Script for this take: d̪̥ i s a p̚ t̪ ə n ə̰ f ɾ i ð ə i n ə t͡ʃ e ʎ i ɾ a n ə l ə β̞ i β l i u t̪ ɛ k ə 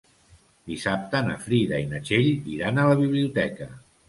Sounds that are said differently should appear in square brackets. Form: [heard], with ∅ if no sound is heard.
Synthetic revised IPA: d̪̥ i s a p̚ t̪ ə n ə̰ f ɾ i ð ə i n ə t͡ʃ e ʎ i ɾ a n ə l ə β̞ i β l i u t̪ ɛ k ə